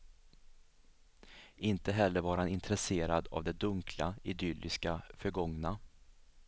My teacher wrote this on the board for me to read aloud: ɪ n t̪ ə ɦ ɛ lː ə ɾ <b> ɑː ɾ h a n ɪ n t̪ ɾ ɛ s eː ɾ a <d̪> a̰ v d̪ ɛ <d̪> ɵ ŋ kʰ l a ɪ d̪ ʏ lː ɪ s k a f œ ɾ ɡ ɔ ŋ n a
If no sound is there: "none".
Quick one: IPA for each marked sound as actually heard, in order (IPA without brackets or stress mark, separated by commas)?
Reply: v, d̪, d̪